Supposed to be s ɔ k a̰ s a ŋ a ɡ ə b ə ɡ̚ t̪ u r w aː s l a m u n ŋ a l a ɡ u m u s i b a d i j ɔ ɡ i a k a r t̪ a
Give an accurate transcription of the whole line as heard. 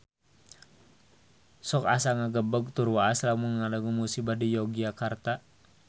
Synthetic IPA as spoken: s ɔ k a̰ s a ŋ a ɡ ə b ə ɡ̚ t̪ u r w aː s l a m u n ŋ a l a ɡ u m u s i b a d i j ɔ ɡ i a k a r t̪ a